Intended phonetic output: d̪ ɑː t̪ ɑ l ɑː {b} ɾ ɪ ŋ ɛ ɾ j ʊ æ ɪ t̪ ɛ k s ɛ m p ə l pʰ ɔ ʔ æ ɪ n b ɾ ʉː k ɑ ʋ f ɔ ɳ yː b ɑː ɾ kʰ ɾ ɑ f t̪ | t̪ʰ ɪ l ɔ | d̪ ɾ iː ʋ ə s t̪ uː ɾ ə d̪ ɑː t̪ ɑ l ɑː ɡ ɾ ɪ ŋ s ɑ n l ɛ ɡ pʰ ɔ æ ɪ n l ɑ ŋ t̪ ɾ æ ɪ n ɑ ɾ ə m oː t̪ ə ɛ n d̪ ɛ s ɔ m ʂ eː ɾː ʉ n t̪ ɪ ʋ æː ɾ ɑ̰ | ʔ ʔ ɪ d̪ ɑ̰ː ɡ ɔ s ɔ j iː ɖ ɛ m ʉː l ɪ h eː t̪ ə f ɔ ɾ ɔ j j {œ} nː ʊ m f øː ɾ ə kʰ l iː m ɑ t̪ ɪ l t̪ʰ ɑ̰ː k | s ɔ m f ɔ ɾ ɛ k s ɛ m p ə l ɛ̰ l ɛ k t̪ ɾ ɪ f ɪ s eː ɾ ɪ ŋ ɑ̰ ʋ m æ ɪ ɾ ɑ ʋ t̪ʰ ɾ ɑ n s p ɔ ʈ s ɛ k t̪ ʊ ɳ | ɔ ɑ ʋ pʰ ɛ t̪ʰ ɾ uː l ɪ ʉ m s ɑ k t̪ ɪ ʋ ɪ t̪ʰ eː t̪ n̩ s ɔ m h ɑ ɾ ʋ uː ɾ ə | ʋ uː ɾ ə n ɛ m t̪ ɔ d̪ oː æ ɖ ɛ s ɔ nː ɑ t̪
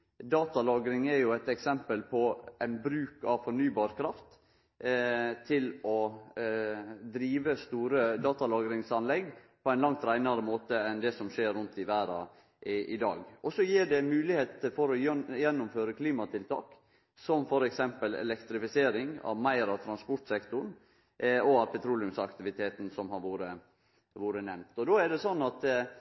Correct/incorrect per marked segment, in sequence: incorrect: ɡ, incorrect: ɛ

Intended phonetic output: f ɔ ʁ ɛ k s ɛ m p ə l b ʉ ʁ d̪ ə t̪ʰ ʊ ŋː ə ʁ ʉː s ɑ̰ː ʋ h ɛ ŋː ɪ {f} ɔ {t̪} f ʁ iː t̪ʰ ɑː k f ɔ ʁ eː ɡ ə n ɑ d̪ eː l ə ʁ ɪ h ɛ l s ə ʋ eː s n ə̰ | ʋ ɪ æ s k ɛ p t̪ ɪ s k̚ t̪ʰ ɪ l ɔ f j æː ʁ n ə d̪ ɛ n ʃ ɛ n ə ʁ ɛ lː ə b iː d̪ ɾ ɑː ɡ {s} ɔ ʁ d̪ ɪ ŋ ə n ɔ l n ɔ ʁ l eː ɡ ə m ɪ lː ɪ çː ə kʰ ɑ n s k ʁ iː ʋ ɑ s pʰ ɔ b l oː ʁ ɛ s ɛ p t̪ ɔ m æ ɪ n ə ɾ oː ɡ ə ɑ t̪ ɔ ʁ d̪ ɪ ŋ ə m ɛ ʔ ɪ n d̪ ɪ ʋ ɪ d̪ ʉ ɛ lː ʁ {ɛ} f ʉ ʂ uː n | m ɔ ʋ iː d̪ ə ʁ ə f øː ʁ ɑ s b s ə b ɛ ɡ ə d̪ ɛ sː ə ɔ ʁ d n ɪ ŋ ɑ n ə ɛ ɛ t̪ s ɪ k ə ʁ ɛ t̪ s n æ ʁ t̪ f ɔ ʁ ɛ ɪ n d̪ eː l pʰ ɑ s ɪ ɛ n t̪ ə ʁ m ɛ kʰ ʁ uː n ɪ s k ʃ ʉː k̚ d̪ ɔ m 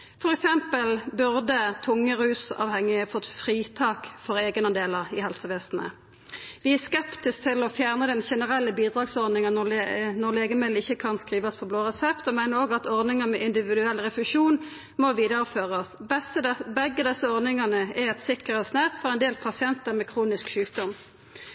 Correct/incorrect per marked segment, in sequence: correct, correct, correct, correct

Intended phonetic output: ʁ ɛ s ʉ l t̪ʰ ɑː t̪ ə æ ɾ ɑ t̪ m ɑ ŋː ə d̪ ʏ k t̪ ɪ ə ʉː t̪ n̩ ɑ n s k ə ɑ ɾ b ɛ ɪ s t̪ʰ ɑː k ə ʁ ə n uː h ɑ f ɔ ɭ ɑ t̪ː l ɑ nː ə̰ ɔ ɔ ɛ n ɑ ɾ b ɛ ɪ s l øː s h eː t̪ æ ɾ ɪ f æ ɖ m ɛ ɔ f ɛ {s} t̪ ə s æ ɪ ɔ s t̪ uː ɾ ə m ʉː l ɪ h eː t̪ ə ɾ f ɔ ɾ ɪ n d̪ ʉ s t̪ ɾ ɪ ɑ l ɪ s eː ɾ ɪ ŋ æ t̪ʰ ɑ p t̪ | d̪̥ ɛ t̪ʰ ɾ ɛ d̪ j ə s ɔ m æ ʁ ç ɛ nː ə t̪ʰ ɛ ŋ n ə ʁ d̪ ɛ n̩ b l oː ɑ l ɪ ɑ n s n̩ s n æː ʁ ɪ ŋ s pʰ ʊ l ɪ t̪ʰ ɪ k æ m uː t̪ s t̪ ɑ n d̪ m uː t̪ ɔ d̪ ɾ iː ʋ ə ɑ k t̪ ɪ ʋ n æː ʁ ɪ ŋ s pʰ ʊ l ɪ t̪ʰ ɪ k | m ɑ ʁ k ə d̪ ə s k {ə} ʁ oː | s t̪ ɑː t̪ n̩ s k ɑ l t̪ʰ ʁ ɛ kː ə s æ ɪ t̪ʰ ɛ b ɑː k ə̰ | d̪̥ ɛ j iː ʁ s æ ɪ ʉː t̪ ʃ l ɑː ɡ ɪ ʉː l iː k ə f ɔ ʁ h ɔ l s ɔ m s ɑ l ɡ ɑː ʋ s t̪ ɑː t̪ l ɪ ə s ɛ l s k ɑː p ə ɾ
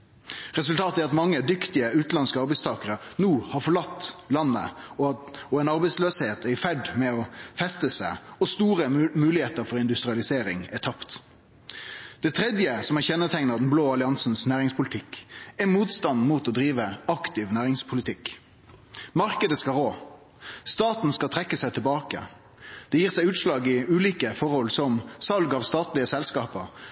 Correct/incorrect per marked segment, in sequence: correct, incorrect: ɑ

